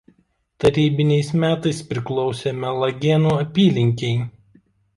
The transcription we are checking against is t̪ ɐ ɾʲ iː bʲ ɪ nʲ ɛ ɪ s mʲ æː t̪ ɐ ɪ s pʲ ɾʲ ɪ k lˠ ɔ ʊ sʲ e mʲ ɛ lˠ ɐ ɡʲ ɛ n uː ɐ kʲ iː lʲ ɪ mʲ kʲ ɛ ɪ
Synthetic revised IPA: t̪ ɐ ɾʲ iː bʲ ɪ nʲ ɛ ɪ s mʲ æː t̪ ɐ ɪ s pʲ ɾʲ ɪ k lˠ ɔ ʊ sʲ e mʲ ɛ lˠ ɐ ɡʲ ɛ n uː ɐ pʲ iː lʲ ɪ ŋʲ kʲ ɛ ɪ